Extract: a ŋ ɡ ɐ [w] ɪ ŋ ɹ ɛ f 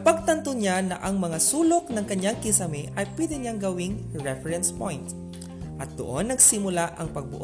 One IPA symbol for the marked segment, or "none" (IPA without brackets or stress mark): w